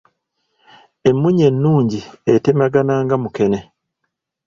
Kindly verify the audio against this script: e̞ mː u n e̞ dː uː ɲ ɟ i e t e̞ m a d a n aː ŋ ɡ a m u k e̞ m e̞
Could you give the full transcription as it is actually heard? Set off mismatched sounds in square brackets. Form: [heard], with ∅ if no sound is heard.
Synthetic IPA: e̞ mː u [ɲ] e̞ [nː] uː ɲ ɟ i e t e̞ m a [ɡ] a n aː ŋ ɡ a m u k e̞ [n] e̞